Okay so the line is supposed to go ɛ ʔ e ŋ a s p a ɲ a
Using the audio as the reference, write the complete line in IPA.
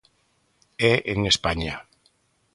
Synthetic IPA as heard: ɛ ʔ e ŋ e s p a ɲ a